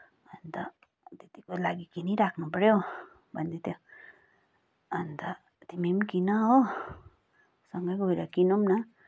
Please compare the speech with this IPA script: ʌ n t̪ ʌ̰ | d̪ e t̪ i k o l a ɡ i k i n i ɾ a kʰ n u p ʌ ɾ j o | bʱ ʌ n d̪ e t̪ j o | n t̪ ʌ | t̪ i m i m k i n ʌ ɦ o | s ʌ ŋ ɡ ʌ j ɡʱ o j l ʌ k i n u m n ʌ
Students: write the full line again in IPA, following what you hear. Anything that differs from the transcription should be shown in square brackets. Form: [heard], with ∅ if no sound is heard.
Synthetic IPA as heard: ʌ n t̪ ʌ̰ | [t̪] e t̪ i k o l a ɡ i k i n i ɾ a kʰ n u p ʌ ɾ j o | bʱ ʌ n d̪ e t̪ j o | n t̪ ʌ | t̪ i m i m k i n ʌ ɦ o | s ʌ ŋ ɡ ʌ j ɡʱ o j [ɾ] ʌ k i n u m n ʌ